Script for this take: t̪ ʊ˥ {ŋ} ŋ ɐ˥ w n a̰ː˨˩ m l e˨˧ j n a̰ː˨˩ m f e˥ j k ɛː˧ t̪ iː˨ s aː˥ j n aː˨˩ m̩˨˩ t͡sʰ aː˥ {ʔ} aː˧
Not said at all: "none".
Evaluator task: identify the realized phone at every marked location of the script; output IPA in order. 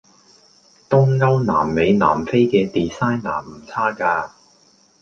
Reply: ŋ, k

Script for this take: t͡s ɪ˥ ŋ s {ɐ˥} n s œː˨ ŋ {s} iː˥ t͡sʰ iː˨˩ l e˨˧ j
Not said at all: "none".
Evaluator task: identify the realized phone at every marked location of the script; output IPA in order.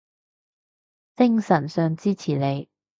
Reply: ɐ˨˩, t͡s

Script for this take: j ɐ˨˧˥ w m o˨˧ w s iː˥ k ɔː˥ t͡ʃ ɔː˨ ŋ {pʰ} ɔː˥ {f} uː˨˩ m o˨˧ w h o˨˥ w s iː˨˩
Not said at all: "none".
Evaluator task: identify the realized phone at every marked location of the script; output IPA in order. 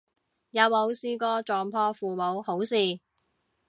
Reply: pʰ, f

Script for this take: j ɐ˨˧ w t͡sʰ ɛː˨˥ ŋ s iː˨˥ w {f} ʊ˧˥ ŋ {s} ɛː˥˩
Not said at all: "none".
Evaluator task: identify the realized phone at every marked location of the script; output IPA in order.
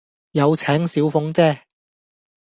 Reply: f, t͡s

